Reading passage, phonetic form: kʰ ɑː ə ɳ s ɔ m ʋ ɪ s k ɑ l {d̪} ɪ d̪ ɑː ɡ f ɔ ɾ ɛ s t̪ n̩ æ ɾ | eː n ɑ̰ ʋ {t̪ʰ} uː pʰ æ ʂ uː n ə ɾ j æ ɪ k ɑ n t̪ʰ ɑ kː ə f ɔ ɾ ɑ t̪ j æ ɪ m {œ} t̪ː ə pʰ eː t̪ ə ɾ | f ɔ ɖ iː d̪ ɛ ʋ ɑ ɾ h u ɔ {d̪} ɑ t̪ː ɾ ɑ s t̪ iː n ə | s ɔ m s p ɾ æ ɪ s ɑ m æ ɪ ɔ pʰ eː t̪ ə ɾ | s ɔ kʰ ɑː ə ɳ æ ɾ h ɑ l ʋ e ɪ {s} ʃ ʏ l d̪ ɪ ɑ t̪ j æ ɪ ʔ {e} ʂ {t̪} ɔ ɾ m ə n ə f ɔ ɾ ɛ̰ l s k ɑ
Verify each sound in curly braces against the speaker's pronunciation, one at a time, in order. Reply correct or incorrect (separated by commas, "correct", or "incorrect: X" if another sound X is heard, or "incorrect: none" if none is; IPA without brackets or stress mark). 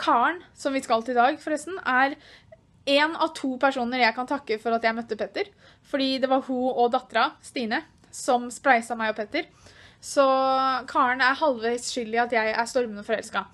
incorrect: t̪, correct, correct, correct, correct, incorrect: æ, correct